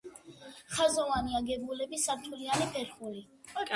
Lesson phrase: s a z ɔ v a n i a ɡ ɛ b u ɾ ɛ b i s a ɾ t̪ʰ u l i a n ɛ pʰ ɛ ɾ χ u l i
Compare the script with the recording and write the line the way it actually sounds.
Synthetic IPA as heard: χ a z ɔ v a n i a ɡ ɛ b u l ɛ b i s a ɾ t̪ʰ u l i a n i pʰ ɛ ɾ χ u l i